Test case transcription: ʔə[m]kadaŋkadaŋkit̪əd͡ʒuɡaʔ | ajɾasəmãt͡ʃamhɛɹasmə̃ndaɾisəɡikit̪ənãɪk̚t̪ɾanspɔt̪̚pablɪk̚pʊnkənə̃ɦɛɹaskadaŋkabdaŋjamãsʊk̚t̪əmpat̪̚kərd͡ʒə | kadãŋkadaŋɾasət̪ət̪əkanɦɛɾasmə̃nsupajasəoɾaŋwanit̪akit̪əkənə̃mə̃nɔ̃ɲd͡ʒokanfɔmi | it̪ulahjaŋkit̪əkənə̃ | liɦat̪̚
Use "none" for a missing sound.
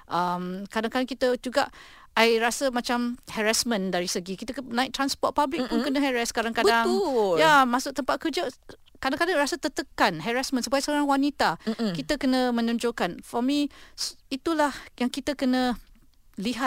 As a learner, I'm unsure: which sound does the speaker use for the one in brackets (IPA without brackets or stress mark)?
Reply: m